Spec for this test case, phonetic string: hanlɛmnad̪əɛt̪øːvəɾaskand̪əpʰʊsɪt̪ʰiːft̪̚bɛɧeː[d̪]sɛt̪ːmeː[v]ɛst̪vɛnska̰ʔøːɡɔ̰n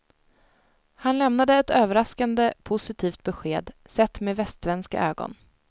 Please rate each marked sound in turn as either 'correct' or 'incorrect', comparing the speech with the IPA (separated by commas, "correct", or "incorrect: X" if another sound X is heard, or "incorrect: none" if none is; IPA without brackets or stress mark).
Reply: correct, correct